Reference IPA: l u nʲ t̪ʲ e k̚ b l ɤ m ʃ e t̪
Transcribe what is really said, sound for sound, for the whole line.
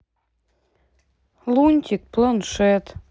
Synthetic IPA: l u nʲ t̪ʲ i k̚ p l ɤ n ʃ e t̪